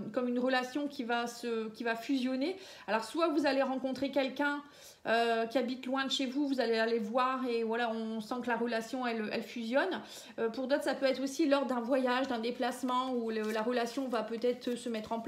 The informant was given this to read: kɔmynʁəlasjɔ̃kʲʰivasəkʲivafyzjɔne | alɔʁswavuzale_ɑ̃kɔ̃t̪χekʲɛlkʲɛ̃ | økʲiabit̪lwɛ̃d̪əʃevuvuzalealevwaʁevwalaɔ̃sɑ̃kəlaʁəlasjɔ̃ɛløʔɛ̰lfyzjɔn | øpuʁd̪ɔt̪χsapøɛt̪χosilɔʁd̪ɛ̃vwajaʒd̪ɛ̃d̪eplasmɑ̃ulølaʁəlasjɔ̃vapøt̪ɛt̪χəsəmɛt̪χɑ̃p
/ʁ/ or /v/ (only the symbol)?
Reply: ʁ